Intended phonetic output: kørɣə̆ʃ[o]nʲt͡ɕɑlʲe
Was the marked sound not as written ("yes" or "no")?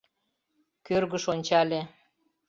no